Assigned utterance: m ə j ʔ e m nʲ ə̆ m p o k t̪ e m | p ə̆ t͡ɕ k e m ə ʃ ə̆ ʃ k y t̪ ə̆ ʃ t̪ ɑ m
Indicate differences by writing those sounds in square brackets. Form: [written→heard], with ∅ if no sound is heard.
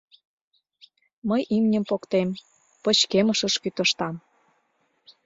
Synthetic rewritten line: m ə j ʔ [e→i] m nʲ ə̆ m p o k t̪ e m | p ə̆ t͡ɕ k e m ə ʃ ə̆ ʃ k y t̪ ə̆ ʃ t̪ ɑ m